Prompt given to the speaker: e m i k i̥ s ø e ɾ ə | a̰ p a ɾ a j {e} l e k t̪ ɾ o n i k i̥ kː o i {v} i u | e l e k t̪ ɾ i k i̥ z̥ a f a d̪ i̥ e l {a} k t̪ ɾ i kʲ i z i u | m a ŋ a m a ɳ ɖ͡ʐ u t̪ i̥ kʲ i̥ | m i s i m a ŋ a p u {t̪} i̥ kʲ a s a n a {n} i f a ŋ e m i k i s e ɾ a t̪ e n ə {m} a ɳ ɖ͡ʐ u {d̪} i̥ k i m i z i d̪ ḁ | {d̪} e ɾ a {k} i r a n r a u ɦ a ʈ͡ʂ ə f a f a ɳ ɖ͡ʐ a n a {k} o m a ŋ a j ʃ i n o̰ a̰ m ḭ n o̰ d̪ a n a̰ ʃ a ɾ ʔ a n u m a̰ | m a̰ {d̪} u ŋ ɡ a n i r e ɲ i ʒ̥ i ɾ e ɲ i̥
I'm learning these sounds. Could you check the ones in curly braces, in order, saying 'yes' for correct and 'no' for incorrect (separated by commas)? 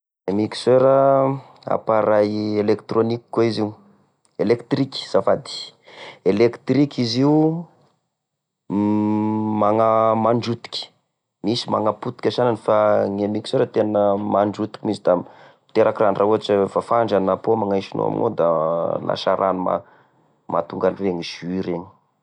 yes, no, no, yes, yes, yes, no, no, yes, no, no